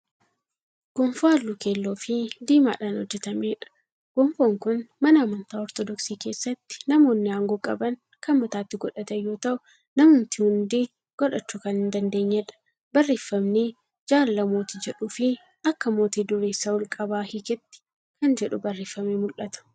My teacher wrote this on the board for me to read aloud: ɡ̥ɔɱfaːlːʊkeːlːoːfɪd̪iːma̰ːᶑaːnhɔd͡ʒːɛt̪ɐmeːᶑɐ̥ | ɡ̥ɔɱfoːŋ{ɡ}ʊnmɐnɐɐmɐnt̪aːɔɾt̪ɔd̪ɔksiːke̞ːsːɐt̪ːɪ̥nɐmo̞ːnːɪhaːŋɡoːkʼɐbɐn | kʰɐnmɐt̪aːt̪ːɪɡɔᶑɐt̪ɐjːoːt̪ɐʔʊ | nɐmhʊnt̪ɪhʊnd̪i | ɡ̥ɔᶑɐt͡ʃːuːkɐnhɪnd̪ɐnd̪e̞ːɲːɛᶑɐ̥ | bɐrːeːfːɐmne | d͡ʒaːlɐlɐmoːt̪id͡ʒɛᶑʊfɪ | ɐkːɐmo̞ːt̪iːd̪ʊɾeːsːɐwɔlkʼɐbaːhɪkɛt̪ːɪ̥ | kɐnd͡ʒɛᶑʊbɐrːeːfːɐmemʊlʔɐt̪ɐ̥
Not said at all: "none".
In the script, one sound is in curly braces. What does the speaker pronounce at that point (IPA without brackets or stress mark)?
k